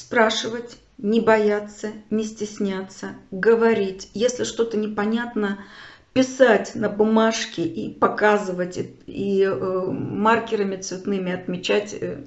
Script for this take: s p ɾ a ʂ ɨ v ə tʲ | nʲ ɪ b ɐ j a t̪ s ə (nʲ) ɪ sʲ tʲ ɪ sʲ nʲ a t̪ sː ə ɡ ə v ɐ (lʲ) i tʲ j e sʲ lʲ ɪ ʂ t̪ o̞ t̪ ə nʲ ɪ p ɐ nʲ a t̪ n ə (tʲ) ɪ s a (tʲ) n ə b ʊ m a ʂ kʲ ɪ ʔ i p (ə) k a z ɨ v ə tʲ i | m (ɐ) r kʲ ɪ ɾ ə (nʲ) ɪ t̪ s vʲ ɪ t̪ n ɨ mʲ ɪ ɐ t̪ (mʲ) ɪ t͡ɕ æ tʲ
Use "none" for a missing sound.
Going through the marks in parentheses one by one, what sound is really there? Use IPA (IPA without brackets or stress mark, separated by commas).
nʲ, ɾʲ, pʲ, tʲ, ɐ, a, mʲ, mʲ